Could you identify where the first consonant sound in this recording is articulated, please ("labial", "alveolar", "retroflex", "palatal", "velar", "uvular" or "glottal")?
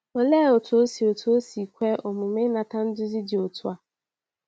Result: alveolar